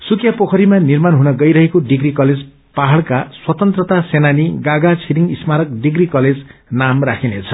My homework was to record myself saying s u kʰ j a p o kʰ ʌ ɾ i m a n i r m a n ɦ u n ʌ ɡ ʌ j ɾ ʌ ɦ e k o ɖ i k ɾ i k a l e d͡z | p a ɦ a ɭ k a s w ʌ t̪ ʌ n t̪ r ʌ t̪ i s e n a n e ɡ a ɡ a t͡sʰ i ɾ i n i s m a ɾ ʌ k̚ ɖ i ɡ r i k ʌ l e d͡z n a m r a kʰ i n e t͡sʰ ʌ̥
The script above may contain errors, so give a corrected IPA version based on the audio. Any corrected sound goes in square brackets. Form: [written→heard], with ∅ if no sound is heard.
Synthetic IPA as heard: s u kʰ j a p o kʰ ʌ ɾ i m a n i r m a n ɦ u n ʌ ɡ ʌ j ɾ ʌ ɦ e k o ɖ i [k→ɡ] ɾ i k [a→ʌ] l e d͡z | p a ɦ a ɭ k a s w ʌ t̪ ʌ n t̪ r ʌ t̪ [i→a] s e n a n [e→i] ɡ a ɡ a t͡sʰ i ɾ i [n→ŋ] i s m a ɾ ʌ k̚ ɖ i ɡ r i k ʌ l e d͡z n a m r a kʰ i n e t͡sʰ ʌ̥

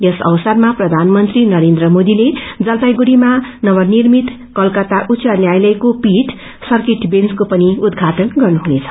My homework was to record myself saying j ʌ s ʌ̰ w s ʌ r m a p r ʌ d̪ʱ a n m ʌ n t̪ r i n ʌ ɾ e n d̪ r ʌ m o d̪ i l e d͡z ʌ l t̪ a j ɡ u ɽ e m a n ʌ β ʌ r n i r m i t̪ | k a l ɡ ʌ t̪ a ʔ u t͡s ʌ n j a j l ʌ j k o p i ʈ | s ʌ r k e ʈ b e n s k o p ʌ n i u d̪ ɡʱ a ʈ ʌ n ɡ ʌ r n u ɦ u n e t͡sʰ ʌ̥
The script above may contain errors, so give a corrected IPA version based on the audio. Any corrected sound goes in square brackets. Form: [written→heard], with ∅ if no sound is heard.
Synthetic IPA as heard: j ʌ s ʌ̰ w s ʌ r m a p r ʌ d̪ʱ a n m ʌ n t̪ r i n ʌ ɾ e n d̪ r ʌ m o d̪ i l e d͡z ʌ l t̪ a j ɡ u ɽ [e→i] m a n ʌ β ʌ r n i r m i t̪ | k [a→ʌ] l [ɡ→k] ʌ t̪ a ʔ u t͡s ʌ n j a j l ʌ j k o p i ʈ | s ʌ r k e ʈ b e n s k o p ʌ n i u d̪ ɡʱ a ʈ ʌ n ɡ ʌ r n u ɦ u n e t͡sʰ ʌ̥

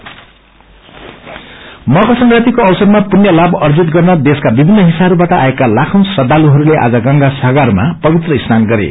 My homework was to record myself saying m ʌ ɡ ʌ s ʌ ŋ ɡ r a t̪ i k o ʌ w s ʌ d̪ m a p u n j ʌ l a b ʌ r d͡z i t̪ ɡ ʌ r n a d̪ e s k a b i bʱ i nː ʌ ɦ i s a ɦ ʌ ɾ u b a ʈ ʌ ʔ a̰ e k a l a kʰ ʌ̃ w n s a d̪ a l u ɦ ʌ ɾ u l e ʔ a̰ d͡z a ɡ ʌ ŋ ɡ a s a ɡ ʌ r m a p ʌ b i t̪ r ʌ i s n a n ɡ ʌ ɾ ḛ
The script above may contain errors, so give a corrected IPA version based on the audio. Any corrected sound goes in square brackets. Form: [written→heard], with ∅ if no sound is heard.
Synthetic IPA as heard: m ʌ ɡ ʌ s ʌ ŋ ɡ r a t̪ i k o ʌ w s ʌ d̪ m a p u n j ʌ l a b ʌ r d͡z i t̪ ɡ ʌ r n [a→ʌ] d̪ e s k a b i bʱ i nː ʌ ɦ i s a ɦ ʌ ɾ u b a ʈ ʌ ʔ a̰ e k a l a kʰ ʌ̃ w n s [a→ʌ] d̪ a l u ɦ ʌ ɾ u l e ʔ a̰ d͡z [a→ʌ] ɡ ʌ ŋ ɡ a s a ɡ [ʌ→a] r m a p ʌ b i t̪ r ʌ i s n a n ɡ ʌ ɾ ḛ

